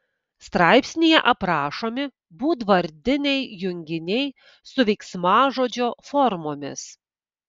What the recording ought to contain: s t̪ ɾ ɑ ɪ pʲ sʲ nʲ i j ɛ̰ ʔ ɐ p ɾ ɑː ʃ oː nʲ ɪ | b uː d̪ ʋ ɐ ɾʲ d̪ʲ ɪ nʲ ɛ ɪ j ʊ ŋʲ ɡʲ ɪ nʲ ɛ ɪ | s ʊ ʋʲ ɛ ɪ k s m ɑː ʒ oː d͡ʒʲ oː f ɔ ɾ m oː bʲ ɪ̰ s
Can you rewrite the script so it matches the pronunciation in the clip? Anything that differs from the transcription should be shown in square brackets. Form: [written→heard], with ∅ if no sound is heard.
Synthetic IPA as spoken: s t̪ ɾ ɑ ɪ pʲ sʲ nʲ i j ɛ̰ ʔ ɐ p ɾ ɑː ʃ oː [nʲ→mʲ] ɪ | b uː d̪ ʋ ɐ ɾʲ d̪ʲ ɪ nʲ ɛ ɪ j ʊ ŋʲ ɡʲ ɪ nʲ ɛ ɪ | s ʊ ʋʲ ɛ ɪ k s m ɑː ʒ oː d͡ʒʲ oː f ɔ ɾ m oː [bʲ→mʲ] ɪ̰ s